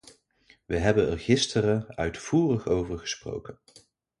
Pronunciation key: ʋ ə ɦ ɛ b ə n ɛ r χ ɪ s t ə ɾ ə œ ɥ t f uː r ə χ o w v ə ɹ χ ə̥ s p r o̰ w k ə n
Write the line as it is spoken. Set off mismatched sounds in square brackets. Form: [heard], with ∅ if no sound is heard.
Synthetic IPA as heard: ʋ ə ɦ ɛ b ə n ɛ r χ ɪ s t ə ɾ ə œ ɥ t f uː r ə χ o w v ə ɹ χ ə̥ s p r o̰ w k ə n